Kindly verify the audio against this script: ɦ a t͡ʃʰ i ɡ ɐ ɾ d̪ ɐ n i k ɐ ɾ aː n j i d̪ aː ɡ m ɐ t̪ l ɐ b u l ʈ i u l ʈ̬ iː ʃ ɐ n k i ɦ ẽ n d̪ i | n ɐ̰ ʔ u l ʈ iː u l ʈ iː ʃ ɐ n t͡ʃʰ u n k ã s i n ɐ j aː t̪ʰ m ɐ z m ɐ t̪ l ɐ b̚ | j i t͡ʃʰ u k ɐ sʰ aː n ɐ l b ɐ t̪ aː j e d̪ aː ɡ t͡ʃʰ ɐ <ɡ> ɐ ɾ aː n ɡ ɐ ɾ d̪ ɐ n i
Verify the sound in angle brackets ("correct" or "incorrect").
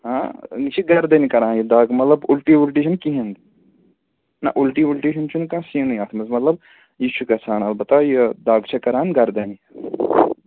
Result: incorrect